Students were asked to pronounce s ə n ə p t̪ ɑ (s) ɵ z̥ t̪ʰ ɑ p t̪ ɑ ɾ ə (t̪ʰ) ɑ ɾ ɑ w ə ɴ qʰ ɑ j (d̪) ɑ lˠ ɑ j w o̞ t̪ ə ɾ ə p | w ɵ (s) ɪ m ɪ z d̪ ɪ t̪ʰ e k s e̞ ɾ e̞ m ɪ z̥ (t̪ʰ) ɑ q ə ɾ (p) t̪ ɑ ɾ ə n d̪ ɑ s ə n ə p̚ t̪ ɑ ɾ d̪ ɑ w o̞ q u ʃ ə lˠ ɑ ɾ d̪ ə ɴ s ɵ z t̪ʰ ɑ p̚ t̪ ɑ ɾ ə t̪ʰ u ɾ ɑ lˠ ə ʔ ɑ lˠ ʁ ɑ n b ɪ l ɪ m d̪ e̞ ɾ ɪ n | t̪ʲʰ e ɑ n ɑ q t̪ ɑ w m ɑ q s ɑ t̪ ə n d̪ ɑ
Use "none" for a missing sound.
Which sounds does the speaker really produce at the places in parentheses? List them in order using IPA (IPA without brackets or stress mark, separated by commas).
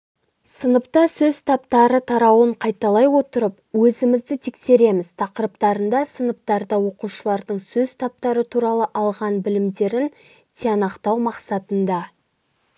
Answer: s, t̪ʰ, t̪, z, t̪ʰ, p